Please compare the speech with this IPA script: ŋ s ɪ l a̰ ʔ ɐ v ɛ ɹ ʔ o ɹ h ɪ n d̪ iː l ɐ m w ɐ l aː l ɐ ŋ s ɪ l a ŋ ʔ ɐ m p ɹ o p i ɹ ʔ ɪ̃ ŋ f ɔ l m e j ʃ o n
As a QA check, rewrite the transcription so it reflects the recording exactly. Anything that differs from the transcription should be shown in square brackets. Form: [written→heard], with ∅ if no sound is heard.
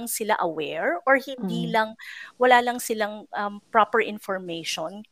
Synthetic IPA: ŋ s ɪ l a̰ ʔ ɐ [v→w] ɛ ɹ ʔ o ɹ h ɪ n d̪ iː l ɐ [m→ŋ] w ɐ l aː l ɐ ŋ s ɪ l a ŋ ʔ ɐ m p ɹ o p [i→ɛ] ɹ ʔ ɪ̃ [ŋ→n] f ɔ [l→ɹ] m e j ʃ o n